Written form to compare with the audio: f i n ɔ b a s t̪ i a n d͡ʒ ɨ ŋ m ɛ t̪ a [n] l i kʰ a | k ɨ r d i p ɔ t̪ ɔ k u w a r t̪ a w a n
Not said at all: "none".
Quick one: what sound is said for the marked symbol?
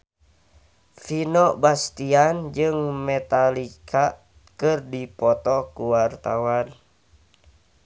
none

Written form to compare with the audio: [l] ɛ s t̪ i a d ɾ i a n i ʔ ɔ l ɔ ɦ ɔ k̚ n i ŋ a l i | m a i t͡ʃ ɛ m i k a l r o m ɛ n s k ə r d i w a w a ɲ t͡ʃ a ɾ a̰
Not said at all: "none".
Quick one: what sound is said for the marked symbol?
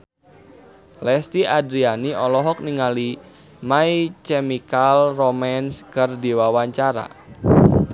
l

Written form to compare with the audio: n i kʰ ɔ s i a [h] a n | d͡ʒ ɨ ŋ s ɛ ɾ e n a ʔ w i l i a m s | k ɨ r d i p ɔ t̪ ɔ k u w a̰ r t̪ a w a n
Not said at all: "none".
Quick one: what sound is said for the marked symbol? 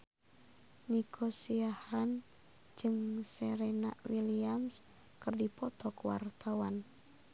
h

